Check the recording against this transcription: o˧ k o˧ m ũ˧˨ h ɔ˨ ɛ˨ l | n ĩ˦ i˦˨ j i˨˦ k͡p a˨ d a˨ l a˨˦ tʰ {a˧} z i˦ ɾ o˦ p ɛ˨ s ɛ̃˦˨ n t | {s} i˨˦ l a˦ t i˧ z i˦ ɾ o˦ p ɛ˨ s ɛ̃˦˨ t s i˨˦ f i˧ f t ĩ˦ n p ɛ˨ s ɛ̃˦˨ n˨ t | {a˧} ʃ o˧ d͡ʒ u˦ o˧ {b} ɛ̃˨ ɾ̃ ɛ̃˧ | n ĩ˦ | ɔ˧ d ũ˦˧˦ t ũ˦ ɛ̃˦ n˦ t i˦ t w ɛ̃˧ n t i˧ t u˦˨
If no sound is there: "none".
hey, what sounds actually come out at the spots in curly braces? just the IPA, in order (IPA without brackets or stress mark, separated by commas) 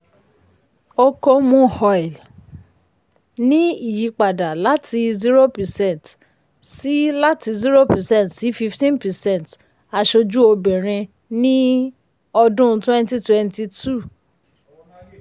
i˧, s, a˧, b